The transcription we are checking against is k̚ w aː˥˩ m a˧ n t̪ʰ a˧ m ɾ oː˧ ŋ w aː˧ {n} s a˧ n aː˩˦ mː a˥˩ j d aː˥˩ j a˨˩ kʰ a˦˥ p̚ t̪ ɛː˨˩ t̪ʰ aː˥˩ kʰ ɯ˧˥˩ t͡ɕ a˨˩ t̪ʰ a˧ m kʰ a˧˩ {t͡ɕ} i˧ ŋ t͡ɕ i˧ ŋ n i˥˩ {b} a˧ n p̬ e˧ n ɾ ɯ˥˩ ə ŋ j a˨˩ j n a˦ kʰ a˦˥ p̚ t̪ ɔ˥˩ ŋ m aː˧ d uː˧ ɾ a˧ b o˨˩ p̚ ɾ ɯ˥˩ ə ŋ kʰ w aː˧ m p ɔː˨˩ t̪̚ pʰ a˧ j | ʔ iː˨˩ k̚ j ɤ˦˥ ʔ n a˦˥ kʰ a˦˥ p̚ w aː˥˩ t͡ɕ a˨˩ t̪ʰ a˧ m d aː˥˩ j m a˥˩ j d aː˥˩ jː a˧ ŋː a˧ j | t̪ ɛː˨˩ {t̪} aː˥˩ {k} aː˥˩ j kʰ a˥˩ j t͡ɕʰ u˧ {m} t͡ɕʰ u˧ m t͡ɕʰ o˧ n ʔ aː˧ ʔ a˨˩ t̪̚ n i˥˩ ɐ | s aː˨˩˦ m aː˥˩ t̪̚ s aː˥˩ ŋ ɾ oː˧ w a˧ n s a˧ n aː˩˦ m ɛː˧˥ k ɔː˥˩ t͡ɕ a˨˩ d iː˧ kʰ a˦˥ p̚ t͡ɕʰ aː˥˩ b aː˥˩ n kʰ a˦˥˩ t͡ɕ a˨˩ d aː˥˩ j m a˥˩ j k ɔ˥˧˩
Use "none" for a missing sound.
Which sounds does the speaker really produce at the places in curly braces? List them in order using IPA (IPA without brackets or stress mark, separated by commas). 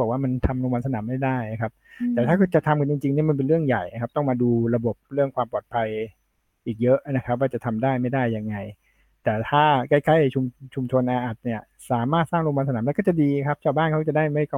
n, t͡ɕ, m, t̪ʰ, k, m